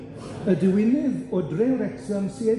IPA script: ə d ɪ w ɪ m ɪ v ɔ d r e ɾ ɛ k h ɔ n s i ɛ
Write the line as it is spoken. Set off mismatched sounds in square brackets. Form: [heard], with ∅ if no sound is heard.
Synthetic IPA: ə d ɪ w ɪ [n] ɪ [ð] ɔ d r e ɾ ɛ k [s] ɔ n s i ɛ